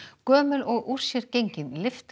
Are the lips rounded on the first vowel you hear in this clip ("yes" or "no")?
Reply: yes